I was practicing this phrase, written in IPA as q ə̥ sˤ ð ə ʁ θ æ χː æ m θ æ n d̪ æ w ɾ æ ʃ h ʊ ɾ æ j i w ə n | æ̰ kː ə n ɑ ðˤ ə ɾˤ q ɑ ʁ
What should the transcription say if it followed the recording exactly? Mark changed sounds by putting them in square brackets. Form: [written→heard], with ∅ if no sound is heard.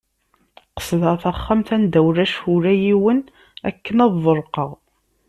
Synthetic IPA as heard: q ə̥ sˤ ð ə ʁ θ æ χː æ m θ æ n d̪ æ w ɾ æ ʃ h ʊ ɾ æ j i w ə n | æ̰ kː ə n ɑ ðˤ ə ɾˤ q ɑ ʁ